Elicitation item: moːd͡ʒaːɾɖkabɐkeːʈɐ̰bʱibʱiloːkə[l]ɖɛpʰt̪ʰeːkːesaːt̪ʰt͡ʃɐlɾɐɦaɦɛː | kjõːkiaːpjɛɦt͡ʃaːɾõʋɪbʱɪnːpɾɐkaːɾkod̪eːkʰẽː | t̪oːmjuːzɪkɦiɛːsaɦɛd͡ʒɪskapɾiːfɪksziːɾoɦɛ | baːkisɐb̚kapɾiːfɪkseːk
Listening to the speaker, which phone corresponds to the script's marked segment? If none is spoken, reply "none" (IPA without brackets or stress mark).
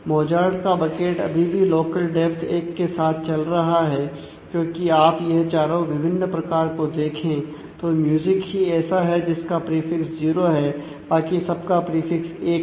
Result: l